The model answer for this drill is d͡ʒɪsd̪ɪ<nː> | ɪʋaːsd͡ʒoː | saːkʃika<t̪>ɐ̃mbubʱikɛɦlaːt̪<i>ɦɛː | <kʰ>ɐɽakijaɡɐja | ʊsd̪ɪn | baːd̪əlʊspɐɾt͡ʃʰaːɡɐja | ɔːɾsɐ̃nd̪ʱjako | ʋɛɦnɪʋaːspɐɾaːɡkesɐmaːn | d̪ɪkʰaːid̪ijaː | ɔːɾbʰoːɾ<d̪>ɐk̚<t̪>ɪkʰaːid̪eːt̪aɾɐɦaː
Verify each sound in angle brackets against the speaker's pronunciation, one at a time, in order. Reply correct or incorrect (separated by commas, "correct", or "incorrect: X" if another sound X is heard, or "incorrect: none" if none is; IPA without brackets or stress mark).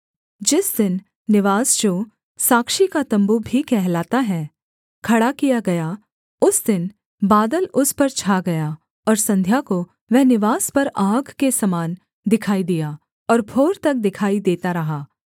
correct, correct, incorrect: a, correct, incorrect: t̪, incorrect: d̪